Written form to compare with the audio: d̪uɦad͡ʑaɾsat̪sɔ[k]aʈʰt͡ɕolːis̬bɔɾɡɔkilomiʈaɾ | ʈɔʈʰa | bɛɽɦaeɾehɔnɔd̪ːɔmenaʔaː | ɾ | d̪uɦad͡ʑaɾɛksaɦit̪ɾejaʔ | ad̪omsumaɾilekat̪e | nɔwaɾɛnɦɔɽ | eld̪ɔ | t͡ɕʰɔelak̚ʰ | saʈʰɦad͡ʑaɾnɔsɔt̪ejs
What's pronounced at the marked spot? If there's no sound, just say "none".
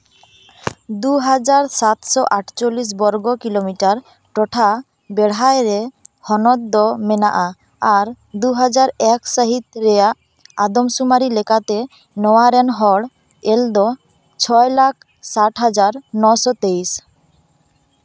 ʔ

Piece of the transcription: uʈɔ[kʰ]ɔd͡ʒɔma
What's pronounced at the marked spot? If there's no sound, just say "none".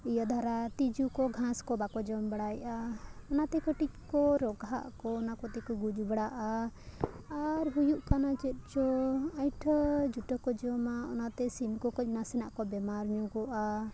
k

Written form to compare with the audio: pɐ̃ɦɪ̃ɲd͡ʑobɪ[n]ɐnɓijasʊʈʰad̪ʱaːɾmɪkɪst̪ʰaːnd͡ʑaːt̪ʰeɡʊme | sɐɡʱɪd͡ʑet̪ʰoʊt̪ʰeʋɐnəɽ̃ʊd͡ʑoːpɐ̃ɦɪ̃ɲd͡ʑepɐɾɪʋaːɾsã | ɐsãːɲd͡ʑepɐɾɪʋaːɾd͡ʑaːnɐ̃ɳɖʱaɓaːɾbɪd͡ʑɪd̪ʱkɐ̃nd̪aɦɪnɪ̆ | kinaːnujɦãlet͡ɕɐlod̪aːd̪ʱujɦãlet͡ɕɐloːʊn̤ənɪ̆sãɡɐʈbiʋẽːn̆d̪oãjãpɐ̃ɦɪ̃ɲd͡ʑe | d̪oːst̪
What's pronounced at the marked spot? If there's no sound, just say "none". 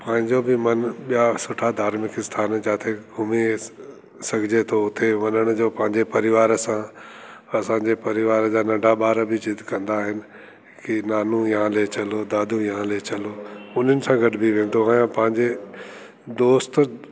m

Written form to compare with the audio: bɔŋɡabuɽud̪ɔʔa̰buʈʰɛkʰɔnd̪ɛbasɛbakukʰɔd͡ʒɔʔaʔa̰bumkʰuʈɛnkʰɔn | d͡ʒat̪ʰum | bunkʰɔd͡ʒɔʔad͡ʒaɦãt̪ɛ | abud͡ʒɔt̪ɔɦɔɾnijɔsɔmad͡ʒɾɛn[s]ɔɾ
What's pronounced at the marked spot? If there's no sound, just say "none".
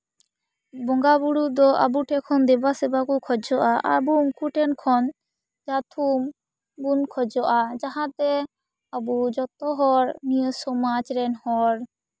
h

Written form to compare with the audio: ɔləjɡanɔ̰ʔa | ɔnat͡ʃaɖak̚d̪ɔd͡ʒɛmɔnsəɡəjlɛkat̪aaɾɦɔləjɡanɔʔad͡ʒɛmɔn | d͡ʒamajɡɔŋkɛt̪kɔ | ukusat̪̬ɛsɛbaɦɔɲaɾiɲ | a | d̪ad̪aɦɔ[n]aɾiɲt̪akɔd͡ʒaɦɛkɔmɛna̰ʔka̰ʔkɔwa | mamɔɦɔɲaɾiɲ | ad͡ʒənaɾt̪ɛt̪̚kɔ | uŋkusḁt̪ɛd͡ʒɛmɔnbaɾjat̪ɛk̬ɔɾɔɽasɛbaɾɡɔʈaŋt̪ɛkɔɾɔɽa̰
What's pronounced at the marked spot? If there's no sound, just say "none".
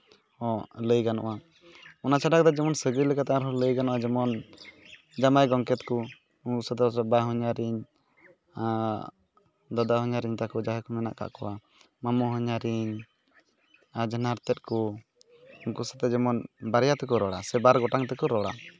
ɲ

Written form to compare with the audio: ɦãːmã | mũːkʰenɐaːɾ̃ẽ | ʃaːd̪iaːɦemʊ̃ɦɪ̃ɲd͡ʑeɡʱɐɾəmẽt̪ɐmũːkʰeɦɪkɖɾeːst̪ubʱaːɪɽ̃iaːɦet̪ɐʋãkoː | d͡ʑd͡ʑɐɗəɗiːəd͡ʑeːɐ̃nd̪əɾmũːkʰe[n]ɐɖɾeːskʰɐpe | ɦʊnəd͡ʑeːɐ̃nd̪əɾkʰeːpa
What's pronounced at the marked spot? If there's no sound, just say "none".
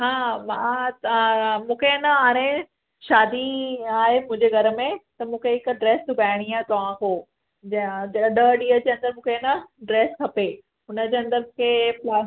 n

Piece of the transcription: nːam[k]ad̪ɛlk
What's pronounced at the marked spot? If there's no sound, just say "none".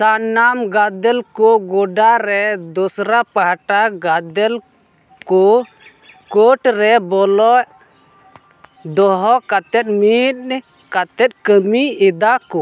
ɡ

